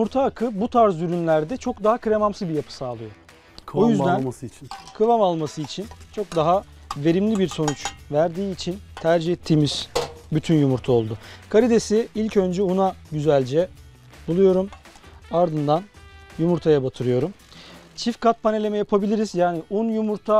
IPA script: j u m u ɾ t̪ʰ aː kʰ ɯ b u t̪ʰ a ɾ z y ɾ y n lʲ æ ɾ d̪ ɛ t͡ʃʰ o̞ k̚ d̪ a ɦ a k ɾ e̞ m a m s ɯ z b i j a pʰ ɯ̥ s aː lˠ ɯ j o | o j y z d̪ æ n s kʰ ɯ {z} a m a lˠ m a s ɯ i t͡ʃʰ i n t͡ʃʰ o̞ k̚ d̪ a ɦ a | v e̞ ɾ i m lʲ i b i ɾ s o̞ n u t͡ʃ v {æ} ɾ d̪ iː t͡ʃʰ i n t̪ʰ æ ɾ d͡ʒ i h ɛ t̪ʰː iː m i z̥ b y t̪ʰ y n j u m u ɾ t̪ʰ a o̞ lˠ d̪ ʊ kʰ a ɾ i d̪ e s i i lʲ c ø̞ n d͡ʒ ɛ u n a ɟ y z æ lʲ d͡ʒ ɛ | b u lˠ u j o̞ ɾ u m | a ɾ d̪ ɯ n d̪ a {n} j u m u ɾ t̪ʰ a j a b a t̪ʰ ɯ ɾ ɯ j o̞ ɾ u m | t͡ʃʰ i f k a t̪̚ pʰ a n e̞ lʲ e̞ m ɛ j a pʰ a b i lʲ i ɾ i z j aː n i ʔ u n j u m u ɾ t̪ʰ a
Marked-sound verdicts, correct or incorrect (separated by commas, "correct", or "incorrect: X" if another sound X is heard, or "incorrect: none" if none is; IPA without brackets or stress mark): incorrect: v, correct, correct